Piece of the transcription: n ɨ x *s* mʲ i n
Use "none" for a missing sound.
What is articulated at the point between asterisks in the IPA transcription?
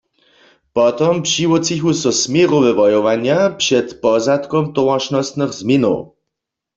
z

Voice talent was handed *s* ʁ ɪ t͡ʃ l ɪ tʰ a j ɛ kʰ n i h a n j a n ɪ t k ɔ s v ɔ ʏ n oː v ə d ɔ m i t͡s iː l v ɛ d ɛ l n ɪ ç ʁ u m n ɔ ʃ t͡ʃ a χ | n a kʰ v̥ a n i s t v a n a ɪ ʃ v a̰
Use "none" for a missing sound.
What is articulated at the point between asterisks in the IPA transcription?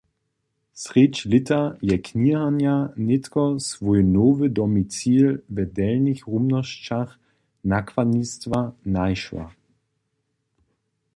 s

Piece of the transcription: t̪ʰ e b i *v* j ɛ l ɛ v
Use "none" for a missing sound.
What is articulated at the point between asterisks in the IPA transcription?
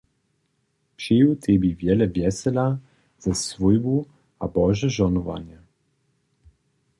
v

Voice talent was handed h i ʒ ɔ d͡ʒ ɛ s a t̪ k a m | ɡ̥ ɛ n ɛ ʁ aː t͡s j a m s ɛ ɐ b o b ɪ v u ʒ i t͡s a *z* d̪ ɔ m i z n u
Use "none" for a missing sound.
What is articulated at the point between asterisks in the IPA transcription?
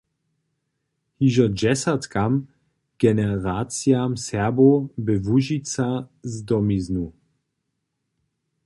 z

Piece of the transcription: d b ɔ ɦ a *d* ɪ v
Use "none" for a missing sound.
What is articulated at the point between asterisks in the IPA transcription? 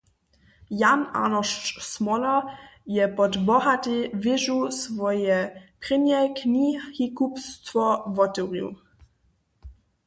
t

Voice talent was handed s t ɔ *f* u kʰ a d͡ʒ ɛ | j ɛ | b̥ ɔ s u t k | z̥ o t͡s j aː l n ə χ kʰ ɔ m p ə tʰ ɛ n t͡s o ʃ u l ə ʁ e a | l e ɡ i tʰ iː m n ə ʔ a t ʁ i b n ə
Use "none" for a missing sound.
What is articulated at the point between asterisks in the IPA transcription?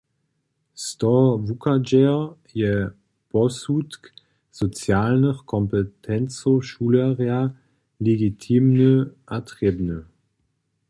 v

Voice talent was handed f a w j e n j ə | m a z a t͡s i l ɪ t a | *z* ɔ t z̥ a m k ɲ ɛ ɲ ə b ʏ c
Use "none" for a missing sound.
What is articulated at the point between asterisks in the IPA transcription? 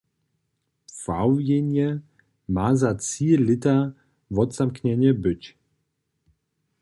v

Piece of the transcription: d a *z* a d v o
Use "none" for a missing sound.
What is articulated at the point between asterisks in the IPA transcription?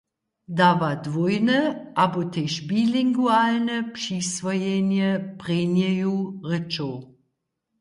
v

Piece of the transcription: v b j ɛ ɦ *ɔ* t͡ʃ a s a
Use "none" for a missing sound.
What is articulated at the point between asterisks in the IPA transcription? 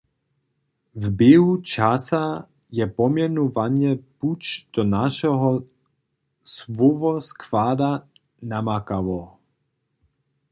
u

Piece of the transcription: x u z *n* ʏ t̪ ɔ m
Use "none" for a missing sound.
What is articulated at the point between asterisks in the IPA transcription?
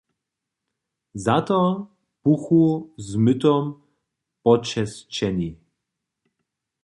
m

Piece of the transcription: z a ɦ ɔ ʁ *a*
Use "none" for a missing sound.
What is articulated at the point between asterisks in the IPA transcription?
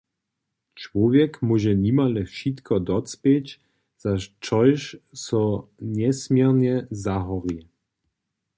i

